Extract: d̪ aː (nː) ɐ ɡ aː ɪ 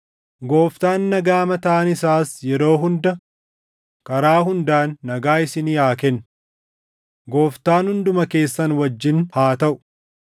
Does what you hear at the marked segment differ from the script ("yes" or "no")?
no